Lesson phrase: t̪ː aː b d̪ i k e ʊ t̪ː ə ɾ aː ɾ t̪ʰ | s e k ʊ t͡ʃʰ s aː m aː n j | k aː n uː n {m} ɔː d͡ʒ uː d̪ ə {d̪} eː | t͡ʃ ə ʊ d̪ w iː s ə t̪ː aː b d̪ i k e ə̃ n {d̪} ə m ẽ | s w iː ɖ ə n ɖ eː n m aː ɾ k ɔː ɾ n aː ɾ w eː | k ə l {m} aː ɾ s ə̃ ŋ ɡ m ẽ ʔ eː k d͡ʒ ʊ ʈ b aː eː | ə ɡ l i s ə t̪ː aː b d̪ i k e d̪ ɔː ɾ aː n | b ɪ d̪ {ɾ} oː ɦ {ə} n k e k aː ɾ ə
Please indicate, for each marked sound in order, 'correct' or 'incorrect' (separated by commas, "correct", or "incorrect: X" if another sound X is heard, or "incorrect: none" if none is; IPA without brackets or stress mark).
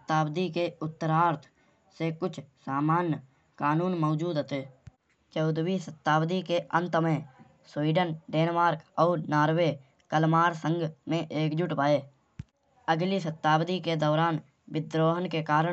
correct, incorrect: t̪, incorrect: t̪, correct, correct, correct